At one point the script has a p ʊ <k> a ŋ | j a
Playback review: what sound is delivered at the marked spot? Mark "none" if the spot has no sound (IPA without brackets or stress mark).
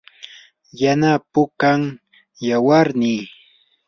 k